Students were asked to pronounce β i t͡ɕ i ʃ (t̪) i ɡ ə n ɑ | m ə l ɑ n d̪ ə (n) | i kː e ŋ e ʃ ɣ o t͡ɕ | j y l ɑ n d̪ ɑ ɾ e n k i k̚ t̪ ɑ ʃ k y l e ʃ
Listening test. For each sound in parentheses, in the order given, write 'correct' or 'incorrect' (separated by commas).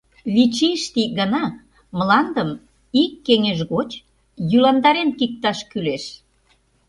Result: correct, incorrect